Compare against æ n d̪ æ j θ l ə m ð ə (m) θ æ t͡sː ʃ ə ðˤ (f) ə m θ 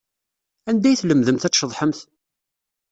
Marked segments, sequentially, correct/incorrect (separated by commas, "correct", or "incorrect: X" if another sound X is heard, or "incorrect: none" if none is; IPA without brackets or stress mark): correct, incorrect: ħ